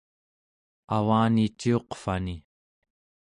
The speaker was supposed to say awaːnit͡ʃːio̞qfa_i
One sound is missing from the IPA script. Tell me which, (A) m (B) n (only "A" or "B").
B